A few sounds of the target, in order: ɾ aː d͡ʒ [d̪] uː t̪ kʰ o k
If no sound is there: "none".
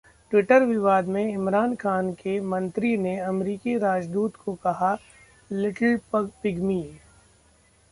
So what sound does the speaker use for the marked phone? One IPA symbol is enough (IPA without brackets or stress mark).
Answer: d̪